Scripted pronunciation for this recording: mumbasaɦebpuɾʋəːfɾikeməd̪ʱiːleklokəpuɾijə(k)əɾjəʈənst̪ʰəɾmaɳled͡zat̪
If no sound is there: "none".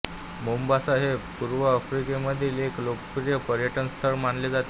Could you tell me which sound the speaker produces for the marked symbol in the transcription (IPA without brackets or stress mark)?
p